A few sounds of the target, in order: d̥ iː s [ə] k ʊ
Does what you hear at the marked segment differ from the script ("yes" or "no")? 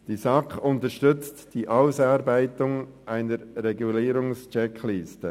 yes